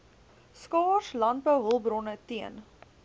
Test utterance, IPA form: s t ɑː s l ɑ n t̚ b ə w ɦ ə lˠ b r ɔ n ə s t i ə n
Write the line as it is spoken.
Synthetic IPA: s k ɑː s l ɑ n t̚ b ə w ɦ ə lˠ b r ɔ n ə t i ə n